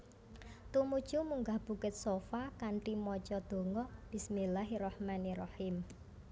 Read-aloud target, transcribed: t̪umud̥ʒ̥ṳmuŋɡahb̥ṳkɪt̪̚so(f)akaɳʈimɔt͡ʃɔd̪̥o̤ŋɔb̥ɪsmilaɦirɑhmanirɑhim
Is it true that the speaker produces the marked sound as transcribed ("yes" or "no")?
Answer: yes